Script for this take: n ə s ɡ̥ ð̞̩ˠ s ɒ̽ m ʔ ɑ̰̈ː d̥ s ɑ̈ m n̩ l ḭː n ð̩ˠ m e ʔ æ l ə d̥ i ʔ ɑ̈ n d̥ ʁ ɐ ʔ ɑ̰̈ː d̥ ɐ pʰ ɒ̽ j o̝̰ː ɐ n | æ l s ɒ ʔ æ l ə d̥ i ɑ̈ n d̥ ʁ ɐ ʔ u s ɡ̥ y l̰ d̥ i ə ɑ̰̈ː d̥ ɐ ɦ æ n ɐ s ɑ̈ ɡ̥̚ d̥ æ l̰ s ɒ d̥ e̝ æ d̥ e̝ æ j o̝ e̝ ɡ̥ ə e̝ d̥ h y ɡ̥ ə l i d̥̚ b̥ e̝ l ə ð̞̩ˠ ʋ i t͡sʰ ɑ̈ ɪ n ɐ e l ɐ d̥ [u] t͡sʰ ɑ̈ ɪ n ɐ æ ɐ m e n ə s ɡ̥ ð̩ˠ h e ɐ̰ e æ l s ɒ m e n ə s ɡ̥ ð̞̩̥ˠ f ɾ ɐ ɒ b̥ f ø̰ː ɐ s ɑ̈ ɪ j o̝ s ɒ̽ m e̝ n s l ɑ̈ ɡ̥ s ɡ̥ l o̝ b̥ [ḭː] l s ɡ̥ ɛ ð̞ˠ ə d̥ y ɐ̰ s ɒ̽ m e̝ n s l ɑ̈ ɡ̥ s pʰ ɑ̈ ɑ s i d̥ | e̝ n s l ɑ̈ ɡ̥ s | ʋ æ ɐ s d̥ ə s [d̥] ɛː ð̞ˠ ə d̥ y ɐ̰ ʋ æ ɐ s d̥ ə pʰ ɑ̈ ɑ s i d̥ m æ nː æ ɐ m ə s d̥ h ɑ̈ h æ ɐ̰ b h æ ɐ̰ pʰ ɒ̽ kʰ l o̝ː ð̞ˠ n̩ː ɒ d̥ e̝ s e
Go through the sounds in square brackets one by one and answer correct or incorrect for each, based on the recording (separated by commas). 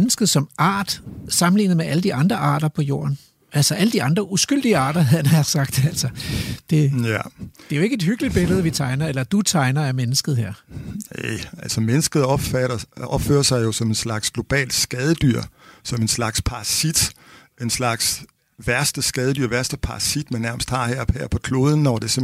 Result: correct, incorrect, incorrect